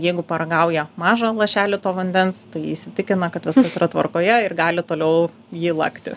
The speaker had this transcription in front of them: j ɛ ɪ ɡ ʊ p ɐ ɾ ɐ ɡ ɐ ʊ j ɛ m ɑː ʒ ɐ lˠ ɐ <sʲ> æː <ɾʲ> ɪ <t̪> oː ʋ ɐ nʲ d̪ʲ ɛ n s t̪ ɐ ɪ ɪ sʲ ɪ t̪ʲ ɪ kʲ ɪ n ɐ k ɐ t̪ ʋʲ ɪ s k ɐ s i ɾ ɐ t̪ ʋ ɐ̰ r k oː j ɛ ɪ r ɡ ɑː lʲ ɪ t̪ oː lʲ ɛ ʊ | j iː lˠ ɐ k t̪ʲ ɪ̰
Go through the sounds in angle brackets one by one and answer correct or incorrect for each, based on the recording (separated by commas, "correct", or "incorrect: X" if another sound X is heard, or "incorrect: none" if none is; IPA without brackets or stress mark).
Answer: incorrect: ʃʲ, incorrect: lʲ, correct